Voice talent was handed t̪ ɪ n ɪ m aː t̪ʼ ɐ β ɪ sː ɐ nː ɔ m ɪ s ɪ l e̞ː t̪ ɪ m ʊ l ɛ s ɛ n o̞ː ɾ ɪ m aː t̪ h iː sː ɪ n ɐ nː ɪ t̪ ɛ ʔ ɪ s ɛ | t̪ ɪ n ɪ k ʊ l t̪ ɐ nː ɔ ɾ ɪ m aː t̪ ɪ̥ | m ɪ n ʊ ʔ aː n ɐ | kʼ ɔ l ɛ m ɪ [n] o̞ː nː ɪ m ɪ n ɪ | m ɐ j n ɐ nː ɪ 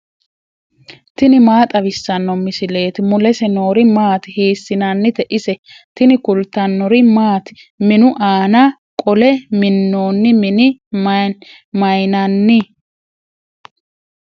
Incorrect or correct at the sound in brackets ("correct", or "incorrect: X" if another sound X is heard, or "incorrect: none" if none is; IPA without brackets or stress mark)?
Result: incorrect: nː